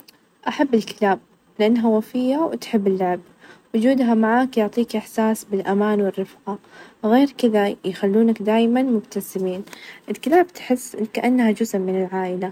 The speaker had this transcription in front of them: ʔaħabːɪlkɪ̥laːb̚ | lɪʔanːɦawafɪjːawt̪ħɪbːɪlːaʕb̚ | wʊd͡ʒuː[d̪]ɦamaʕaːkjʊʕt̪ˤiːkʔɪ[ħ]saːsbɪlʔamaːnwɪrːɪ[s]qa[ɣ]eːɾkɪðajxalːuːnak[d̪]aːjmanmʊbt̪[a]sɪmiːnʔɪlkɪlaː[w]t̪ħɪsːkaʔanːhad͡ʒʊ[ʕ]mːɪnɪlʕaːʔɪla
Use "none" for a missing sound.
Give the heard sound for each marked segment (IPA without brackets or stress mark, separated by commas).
d̪, ħ, f, ɣ, d̪, a, b, z